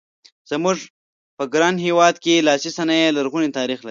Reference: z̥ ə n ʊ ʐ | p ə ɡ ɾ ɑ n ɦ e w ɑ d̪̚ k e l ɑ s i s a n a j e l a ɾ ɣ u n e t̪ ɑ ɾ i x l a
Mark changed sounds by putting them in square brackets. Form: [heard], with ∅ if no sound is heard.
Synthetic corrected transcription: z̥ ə [m] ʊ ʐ | p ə ɡ ɾ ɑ n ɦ e w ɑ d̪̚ k e l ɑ s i s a n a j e l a ɾ ɣ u n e t̪ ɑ ɾ i x l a